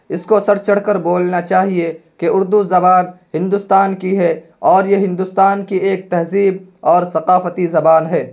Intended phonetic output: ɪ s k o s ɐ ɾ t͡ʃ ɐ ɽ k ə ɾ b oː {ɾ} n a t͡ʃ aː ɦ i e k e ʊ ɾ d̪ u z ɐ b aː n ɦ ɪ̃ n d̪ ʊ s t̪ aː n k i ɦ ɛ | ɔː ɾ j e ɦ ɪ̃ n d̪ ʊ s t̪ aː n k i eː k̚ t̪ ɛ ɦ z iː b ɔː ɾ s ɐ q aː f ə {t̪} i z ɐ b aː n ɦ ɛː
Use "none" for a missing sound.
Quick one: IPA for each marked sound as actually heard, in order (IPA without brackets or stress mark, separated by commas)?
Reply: l, t̪